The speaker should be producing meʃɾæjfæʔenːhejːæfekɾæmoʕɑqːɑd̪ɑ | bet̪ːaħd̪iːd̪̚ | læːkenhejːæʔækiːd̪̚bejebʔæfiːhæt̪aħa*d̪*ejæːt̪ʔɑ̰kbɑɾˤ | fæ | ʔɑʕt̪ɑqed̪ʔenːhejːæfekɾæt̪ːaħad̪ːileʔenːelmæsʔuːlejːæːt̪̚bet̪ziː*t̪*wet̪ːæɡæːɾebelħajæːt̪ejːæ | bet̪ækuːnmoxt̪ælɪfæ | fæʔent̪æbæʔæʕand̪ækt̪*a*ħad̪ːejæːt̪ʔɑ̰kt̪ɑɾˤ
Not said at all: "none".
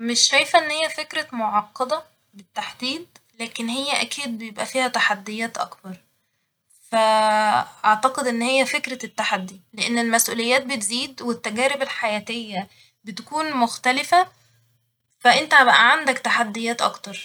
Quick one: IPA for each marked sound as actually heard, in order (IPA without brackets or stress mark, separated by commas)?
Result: d̪ː, d̪, a